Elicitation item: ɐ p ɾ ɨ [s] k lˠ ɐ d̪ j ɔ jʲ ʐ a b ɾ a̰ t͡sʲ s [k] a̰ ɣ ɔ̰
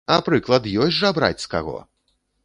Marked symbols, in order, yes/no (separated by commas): no, yes